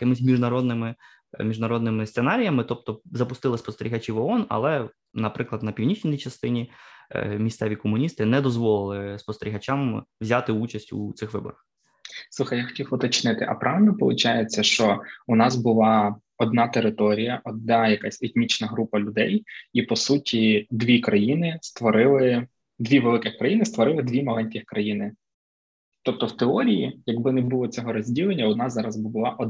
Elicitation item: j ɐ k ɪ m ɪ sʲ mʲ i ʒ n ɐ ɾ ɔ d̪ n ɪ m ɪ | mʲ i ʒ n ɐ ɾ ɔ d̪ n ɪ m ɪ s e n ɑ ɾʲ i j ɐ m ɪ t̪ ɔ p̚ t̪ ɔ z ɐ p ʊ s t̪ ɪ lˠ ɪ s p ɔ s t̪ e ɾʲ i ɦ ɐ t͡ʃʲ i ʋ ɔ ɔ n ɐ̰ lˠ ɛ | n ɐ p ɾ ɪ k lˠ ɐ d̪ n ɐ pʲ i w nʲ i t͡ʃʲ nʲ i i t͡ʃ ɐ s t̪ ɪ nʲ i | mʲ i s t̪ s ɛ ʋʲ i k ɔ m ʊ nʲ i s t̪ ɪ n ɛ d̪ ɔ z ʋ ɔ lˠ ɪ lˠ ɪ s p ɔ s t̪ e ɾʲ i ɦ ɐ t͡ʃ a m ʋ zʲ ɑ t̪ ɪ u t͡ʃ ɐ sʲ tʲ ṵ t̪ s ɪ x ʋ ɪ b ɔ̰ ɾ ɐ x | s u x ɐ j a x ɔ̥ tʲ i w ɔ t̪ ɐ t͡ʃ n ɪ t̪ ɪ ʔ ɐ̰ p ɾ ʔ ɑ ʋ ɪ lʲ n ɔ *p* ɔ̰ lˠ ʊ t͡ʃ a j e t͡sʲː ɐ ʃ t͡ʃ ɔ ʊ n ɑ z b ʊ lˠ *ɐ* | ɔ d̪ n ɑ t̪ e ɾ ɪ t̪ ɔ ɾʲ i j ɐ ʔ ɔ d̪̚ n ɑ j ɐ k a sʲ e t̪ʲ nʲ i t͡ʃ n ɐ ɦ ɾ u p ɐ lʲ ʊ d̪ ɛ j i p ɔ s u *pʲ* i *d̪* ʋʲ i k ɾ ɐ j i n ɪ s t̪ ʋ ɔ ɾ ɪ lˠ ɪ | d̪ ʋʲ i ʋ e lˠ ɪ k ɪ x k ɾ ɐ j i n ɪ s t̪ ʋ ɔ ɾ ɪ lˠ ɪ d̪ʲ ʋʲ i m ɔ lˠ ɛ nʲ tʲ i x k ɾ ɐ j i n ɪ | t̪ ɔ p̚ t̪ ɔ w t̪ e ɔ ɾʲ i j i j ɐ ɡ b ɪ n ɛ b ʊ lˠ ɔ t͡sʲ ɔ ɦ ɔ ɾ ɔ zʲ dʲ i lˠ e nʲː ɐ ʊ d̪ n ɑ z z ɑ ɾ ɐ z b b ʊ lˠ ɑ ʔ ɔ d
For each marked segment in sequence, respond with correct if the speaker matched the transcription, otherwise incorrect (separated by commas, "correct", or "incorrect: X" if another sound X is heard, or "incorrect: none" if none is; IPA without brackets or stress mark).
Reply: correct, incorrect: ɑ, incorrect: tʲ, correct